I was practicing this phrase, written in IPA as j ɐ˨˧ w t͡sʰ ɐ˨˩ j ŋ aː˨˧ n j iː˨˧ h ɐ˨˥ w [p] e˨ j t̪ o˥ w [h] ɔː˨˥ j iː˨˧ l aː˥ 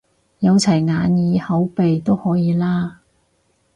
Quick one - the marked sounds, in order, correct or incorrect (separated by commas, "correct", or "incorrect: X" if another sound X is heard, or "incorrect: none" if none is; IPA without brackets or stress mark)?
correct, correct